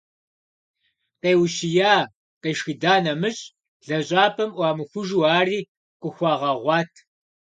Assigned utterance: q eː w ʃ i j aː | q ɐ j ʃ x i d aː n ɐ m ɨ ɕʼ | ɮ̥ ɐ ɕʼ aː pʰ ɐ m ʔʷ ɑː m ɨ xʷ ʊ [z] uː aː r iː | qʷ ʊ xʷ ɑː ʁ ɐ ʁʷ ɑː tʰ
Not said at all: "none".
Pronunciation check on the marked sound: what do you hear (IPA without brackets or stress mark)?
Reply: ʒ